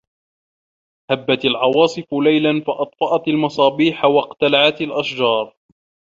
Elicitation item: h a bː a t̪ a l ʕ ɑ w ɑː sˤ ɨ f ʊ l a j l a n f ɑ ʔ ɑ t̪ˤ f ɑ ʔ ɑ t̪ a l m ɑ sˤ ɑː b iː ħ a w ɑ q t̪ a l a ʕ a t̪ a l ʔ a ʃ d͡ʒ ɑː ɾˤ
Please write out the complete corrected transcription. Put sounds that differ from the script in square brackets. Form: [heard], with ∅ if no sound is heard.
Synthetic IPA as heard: h a bː a t̪ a l ʕ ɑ w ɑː sˤ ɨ f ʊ l a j l a n f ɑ ʔ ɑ t̪ˤ f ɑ ʔ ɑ t̪ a l m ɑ sˤ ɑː b iː ħ a w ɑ q t̪ a l a ʕ a t̪ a l ʔ a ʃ d͡ʒ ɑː ɾˤ